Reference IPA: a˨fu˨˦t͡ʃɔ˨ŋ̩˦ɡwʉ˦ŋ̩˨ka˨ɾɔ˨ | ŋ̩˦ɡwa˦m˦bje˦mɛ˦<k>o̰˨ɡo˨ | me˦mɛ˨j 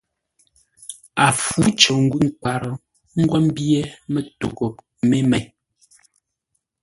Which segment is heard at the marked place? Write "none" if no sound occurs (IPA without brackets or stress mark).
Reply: t